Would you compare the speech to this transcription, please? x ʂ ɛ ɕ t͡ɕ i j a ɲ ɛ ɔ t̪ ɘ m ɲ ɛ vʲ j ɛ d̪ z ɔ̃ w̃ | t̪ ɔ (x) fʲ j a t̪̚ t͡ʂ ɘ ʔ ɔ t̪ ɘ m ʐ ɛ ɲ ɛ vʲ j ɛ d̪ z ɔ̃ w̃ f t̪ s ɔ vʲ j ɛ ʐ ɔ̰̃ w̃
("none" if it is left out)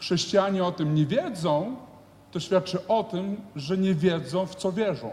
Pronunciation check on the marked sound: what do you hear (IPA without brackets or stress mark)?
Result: ɕ